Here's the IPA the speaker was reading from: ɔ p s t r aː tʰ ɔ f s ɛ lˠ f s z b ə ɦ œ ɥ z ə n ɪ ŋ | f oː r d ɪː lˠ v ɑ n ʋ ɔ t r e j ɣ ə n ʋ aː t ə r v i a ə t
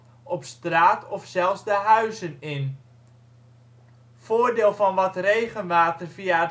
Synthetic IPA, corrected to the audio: ɔ p s t r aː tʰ ɔ f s ɛ lˠ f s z d ə ɦ œ ɥ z ə n ɪ n | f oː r d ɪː lˠ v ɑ n ʋ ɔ t r e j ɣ ə n ʋ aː t ə r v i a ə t